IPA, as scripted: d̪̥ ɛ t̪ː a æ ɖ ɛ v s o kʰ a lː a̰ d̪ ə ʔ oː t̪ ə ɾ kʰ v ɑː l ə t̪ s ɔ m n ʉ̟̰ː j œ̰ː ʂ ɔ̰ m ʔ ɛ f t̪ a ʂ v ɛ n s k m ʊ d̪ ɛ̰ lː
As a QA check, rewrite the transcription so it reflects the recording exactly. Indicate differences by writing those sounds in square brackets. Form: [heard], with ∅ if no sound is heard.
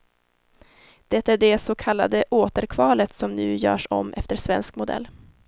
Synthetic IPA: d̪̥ ɛ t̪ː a æ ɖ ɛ [∅] s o kʰ a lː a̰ d̪ ə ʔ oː t̪ ə ɾ kʰ v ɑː l ə t̪ s ɔ m n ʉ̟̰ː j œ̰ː ʂ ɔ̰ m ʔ ɛ f t̪ [ə] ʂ v ɛ n s k m ʊ d̪ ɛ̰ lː